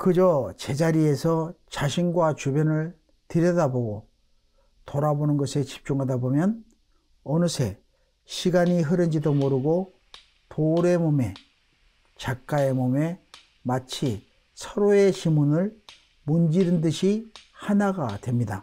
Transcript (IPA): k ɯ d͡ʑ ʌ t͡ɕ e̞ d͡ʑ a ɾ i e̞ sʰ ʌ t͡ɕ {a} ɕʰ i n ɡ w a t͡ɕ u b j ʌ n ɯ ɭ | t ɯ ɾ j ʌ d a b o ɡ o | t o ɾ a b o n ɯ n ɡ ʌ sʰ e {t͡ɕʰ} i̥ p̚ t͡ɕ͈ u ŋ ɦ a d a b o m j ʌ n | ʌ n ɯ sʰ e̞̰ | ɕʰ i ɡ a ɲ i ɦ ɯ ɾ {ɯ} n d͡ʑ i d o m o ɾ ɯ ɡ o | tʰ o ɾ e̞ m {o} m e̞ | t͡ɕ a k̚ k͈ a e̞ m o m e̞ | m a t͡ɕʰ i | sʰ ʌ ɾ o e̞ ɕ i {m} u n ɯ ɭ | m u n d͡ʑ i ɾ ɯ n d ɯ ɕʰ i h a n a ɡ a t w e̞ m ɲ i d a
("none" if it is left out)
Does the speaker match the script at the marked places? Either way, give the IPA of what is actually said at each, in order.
a, t͡ɕ, ɯ, o, m

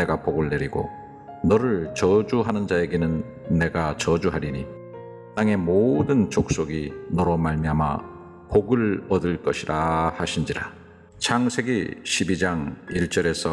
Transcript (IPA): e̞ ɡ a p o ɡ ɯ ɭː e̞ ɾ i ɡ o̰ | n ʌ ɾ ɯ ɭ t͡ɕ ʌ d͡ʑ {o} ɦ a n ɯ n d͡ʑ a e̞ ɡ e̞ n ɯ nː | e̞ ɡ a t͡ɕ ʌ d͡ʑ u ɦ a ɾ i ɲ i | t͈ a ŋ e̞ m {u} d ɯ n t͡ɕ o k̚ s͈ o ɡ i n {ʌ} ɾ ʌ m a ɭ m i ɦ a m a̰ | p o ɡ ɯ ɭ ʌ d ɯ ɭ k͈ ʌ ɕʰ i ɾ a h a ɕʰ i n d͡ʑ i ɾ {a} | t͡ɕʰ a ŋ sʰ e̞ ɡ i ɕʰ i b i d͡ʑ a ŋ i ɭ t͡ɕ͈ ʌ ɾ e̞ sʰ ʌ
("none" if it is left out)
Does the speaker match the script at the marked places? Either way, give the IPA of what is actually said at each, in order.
u, o, ʌ, a

